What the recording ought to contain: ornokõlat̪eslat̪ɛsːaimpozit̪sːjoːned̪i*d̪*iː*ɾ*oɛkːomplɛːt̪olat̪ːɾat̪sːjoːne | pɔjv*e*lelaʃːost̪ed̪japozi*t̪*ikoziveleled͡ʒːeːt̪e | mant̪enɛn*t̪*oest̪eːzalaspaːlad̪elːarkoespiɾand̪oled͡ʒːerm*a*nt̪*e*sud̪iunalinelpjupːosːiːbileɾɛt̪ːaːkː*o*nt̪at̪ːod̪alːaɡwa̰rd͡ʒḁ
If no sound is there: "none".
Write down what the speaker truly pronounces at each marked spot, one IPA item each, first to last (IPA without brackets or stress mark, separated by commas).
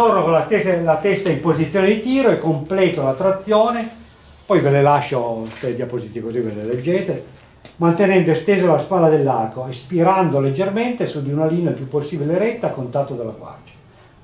t̪, ɾ, e, t̪, d̪, e, e, o